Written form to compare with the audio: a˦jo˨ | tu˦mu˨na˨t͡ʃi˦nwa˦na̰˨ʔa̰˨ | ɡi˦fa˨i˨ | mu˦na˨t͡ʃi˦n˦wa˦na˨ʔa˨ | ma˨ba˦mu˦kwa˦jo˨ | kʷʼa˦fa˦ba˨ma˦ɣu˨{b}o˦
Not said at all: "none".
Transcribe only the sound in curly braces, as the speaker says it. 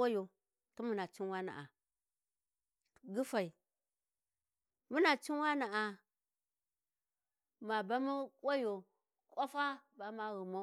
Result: m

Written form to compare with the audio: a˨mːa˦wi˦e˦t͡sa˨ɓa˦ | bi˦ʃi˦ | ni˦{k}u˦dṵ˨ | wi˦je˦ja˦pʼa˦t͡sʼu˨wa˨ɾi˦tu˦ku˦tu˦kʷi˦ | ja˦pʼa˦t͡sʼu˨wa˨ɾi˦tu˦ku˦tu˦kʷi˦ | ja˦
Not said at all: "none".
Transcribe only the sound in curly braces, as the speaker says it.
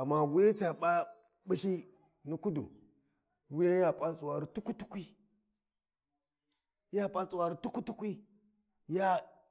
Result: k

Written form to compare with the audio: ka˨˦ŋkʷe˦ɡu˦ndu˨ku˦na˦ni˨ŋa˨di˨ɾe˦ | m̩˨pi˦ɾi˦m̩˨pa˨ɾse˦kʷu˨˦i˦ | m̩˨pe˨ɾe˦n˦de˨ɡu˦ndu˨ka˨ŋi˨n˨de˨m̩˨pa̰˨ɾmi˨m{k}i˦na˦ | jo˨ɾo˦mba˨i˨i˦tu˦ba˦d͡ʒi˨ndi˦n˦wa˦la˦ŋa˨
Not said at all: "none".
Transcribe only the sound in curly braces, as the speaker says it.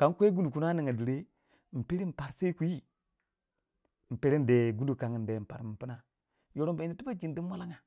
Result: p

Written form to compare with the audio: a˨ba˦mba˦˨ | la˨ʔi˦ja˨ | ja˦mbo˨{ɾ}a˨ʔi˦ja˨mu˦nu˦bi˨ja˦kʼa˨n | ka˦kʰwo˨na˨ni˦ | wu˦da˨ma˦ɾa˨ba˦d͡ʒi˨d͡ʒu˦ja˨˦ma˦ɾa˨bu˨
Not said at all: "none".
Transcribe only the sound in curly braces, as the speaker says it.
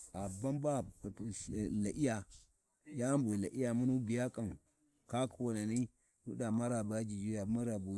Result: l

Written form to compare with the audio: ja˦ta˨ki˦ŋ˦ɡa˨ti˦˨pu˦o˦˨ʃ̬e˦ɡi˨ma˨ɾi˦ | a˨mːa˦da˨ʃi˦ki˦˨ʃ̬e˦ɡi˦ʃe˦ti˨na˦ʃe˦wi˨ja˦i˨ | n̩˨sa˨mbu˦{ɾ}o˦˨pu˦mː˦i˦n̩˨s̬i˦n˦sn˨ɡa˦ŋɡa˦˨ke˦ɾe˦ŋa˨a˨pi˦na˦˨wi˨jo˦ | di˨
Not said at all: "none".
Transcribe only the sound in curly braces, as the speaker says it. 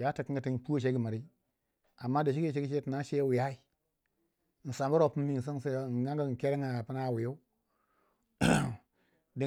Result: ɾ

